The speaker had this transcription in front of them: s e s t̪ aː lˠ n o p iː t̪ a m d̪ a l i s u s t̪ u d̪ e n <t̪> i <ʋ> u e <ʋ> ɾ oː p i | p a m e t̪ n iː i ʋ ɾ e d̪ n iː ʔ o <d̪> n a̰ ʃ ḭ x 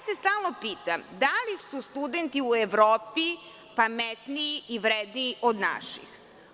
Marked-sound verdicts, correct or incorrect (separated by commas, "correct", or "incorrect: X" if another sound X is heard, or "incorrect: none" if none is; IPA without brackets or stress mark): correct, incorrect: none, correct, correct